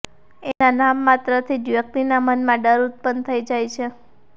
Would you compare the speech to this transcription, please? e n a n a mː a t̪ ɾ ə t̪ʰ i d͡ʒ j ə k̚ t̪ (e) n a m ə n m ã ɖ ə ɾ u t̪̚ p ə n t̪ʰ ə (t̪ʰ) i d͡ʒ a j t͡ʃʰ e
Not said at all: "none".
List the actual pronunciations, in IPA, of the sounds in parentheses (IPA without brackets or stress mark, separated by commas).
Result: i, none